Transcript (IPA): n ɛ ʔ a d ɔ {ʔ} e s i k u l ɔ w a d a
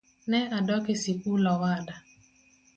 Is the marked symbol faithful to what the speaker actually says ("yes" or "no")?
no